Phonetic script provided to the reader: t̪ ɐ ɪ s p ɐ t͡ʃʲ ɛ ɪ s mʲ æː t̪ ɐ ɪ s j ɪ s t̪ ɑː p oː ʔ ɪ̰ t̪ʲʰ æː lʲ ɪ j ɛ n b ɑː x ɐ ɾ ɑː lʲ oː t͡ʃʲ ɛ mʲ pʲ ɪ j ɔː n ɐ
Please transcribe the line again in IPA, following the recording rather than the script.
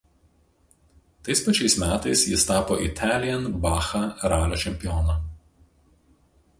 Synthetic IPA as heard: t̪ ɐ ɪ s p ɐ t͡ʃʲ ɛ ɪ s mʲ æː t̪ ɐ ɪ s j ɪ s t̪ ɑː p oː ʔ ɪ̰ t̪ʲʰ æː lʲ ɪ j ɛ n b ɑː x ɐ ɾ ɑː lʲ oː t͡ʃʲ ɛ mʲ pʲ ɪ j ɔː n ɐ